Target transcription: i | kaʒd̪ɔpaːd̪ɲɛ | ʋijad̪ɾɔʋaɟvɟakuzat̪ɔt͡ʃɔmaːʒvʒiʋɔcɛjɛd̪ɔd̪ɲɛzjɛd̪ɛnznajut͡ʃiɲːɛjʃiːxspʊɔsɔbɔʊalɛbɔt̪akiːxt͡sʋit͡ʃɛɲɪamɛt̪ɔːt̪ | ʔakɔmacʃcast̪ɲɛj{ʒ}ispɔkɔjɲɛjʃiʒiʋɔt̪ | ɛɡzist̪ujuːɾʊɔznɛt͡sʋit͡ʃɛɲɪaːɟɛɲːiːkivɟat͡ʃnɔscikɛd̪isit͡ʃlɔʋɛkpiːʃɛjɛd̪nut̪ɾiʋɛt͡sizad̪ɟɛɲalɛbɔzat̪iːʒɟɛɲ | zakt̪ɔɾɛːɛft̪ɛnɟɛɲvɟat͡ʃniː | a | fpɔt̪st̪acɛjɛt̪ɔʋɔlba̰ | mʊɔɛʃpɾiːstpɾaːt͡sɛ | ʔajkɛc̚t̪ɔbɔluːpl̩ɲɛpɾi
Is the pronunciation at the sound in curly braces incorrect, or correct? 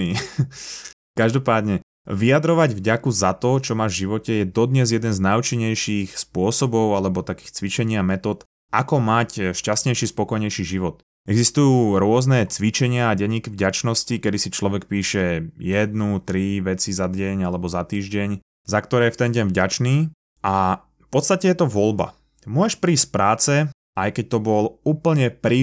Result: incorrect